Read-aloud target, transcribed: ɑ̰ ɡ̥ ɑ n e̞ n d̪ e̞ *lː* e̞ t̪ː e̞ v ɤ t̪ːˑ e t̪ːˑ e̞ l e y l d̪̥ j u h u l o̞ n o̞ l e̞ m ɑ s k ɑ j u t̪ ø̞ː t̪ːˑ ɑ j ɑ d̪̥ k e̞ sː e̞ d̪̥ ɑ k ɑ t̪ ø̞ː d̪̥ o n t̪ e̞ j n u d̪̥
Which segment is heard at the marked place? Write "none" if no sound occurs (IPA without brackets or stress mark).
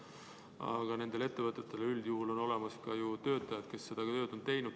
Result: l